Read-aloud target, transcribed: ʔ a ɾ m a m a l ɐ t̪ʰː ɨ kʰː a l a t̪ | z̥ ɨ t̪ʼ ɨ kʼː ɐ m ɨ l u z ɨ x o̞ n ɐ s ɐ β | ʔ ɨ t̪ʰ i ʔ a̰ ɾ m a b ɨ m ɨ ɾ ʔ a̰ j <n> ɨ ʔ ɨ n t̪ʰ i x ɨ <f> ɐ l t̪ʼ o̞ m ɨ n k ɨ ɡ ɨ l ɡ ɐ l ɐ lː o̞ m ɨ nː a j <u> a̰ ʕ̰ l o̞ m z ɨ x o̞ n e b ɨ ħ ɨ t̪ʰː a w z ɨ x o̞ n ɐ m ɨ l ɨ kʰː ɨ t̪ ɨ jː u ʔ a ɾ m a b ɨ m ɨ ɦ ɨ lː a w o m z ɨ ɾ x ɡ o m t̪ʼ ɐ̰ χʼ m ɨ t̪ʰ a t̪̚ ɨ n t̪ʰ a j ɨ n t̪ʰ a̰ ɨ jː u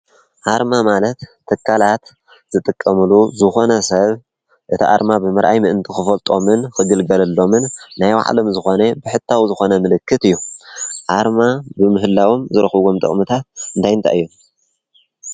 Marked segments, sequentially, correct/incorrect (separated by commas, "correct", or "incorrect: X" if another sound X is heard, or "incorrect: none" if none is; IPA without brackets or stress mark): incorrect: m, correct, incorrect: w